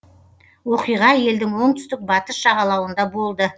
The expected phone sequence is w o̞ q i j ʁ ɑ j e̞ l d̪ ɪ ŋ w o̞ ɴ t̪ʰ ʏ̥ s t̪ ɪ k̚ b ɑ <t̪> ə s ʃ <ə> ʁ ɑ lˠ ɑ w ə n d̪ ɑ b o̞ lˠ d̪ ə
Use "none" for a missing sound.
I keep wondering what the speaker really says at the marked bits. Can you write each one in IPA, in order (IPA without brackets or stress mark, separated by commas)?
t̪, ɑ